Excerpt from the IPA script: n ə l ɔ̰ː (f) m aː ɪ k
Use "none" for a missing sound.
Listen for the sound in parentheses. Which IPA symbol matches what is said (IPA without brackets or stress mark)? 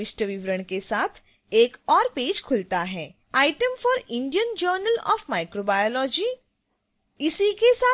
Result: f